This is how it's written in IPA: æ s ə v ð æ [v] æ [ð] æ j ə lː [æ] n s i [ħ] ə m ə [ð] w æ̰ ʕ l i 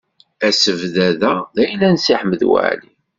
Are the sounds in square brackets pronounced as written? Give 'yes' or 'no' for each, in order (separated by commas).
no, yes, yes, yes, yes